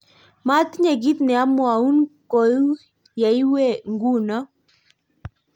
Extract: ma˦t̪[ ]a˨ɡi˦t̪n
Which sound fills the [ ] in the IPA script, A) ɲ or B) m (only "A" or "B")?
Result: A